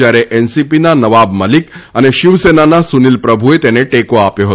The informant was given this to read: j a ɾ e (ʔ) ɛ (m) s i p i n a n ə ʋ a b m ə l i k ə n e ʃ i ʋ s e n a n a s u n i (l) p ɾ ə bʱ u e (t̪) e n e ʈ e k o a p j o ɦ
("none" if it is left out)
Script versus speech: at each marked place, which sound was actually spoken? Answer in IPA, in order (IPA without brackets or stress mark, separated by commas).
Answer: ʔ, n, l, t̪